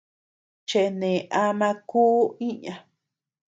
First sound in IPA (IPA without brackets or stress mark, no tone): t͡ʃ